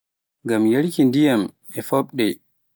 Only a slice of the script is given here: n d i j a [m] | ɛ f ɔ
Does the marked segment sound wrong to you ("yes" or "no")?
no